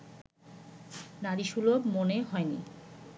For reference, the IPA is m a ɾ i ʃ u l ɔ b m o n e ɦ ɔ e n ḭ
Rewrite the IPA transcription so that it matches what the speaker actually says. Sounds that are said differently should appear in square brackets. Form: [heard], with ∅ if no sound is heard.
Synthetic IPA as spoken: [n] a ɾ i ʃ u l [o] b m o n e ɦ ɔ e n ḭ